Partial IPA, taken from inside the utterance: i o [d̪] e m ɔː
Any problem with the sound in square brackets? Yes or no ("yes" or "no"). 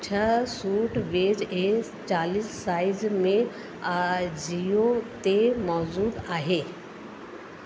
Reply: yes